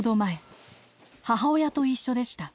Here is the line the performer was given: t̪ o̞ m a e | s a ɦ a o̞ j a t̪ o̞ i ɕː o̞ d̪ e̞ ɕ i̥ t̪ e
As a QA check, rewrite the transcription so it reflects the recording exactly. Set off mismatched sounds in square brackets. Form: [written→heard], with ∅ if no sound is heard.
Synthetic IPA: [t̪→d̪] o̞ m a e | [s→h] a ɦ a o̞ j a t̪ o̞ i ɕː o̞ d̪ e̞ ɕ i̥ t̪ [e→a]